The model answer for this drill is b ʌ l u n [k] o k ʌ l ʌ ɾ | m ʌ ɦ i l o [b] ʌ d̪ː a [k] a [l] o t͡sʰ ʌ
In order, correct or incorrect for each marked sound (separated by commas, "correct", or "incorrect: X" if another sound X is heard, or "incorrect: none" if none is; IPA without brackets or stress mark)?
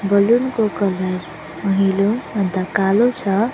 correct, incorrect: m, correct, correct